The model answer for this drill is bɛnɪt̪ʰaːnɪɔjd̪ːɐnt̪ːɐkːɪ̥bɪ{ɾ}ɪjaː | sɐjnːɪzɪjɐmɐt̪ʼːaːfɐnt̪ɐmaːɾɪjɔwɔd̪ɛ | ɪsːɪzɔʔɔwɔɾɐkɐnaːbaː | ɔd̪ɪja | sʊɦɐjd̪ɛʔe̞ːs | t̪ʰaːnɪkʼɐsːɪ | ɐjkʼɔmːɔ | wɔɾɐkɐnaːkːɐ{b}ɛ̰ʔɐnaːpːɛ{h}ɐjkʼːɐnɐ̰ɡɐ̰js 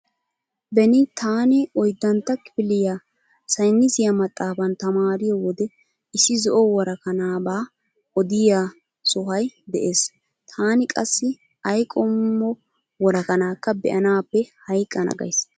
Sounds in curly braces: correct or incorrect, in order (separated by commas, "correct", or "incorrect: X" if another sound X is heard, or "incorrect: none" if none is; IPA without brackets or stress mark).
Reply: incorrect: l, correct, correct